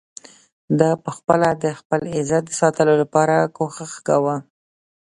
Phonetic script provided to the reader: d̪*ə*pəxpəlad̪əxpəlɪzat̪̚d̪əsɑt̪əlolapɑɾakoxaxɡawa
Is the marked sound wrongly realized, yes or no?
yes